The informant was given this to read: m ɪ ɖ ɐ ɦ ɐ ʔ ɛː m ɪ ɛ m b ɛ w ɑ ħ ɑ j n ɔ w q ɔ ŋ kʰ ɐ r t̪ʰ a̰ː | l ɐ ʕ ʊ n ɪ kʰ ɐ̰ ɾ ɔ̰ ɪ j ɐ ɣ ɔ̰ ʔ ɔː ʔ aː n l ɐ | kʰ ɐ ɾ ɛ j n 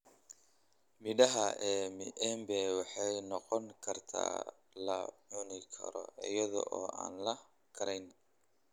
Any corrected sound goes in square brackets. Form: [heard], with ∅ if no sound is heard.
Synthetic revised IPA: m ɪ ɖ ɐ ɦ ɐ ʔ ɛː m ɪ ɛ m b ɛ w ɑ ħ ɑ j n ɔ [∅] q ɔ ŋ kʰ ɐ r t̪ʰ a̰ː | l ɐ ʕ ʊ n ɪ kʰ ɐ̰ ɾ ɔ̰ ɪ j ɐ [ð] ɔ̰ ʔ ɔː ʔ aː n l ɐ | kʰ ɐ ɾ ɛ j n